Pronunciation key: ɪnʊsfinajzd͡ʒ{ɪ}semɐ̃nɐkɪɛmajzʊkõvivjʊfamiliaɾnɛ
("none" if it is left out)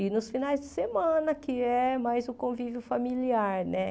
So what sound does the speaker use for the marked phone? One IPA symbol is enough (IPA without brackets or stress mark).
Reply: ɪ